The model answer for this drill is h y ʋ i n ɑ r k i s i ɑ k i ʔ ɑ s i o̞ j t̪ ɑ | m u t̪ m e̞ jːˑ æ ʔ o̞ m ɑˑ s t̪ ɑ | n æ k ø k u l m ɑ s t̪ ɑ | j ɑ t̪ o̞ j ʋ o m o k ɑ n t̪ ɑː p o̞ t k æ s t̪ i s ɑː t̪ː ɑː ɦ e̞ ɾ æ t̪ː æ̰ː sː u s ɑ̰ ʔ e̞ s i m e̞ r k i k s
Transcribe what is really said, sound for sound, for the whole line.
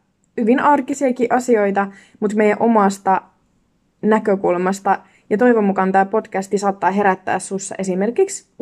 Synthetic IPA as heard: h y ʋ i n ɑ r k i s i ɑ k i ʔ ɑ s i o̞ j t̪ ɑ | m u t̪ m e̞ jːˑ æ ʔ o̞ m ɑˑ s t̪ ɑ | n æ k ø k u l m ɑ s t̪ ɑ | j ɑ t̪ o̞ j ʋ o m u k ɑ n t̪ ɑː p o̞ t k æ s t̪ i s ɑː t̪ː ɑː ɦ e̞ ɾ æ t̪ː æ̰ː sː u sː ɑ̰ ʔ e̞ s i m e̞ r k i k s